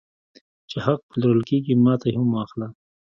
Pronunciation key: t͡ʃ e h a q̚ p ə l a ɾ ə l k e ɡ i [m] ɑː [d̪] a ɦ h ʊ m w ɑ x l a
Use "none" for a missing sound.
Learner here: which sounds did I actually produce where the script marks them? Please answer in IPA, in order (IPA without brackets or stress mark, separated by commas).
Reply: m, t̪